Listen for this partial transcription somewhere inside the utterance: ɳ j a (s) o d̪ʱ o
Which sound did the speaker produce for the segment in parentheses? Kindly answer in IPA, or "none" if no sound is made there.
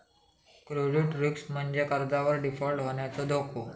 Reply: t͡s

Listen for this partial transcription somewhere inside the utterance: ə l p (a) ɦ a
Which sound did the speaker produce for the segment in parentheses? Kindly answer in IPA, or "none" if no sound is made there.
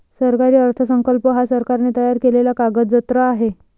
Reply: ə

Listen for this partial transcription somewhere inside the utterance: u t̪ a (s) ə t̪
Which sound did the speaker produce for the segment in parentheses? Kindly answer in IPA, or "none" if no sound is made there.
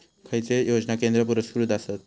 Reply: s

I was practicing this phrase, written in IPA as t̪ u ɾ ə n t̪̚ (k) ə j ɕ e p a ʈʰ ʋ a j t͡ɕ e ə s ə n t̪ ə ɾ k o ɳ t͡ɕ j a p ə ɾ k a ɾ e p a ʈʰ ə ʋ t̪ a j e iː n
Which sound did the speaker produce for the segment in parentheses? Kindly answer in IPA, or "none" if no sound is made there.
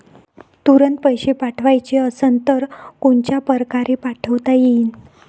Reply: p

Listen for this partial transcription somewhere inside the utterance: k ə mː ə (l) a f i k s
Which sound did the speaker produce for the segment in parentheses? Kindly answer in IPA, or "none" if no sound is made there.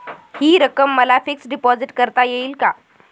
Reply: l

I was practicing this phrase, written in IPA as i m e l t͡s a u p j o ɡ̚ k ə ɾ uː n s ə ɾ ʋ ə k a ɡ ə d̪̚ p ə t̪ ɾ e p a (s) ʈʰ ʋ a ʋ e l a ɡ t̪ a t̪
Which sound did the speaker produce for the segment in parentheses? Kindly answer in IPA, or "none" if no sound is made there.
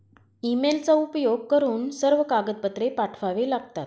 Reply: none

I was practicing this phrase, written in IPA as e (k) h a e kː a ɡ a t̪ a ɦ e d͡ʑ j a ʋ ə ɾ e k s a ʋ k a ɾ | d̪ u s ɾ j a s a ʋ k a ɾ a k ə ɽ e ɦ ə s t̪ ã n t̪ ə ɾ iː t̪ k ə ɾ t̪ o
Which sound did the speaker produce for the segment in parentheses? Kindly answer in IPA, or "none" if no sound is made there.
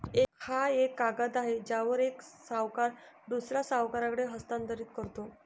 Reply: k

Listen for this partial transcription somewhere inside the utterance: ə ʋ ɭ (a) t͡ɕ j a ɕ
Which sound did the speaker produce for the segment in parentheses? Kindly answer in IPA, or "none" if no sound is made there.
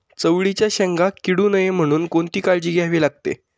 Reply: i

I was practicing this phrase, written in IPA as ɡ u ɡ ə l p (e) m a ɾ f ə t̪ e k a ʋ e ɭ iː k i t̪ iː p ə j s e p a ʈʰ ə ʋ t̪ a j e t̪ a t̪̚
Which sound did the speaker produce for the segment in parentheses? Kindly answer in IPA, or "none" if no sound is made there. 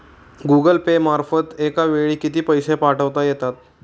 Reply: e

